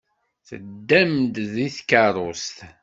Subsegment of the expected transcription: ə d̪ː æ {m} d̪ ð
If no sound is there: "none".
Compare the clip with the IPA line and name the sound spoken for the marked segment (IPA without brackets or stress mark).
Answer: m